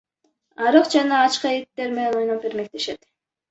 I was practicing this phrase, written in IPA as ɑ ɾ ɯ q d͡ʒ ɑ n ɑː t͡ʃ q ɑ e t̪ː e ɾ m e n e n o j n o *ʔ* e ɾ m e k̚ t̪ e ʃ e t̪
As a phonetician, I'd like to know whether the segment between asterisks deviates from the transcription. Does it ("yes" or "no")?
yes